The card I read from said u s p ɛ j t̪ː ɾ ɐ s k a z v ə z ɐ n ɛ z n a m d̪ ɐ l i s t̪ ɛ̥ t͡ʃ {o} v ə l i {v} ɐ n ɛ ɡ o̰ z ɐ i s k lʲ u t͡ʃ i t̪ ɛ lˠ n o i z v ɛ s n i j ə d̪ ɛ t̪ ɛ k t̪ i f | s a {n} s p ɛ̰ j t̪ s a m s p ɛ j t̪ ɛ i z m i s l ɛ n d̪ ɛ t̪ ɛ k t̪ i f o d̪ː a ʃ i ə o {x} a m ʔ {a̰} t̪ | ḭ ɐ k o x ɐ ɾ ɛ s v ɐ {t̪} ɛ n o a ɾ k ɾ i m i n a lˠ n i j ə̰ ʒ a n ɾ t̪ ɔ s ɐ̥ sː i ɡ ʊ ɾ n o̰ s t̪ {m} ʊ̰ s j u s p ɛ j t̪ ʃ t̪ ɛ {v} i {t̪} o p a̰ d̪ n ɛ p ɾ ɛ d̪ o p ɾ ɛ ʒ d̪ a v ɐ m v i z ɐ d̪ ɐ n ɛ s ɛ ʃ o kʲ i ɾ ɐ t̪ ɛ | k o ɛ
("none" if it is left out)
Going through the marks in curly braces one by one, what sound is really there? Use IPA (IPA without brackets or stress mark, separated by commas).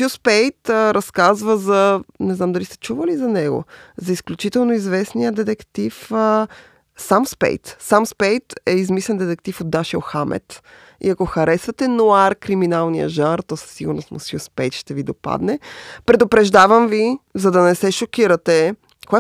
u, z, m, x, ɛ̰, t̪, m, v, d̪